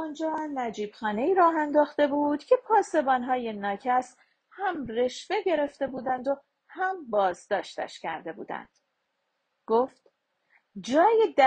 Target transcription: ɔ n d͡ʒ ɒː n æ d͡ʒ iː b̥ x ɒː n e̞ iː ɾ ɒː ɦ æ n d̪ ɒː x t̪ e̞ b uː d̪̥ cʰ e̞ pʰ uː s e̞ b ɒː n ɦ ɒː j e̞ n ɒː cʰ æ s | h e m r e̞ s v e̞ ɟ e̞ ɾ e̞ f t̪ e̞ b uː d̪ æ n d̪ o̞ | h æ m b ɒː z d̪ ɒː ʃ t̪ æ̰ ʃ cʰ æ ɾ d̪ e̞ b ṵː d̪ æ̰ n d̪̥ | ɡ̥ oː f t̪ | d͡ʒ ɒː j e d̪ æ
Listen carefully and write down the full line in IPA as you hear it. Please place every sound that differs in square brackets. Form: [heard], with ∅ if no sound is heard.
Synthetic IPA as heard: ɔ n d͡ʒ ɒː n æ d͡ʒ iː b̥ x ɒː n e̞ iː ɾ ɒː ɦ æ n d̪ ɒː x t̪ e̞ b uː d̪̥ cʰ e̞ pʰ [ɒː] s e̞ b ɒː n ɦ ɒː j e̞ n ɒː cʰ æ s | h [æ] m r e̞ [ʃ] v e̞ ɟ e̞ ɾ e̞ f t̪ e̞ b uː d̪ æ n d̪ o̞ | h æ m b ɒː z d̪ ɒː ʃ t̪ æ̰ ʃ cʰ æ ɾ d̪ e̞ b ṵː d̪ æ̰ n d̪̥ | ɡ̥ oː f t̪ | d͡ʒ ɒː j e d̪ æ